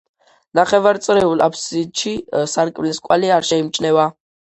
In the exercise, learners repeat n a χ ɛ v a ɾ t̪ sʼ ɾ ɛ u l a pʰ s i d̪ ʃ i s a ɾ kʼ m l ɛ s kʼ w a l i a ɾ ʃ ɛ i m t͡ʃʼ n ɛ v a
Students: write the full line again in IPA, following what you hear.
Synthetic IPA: n a χ ɛ v a ɾ t̪ sʼ ɾ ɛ u l a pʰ s i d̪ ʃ i s a ɾ kʼ m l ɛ s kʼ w a l i a ɾ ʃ ɛ i m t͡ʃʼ n ɛ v a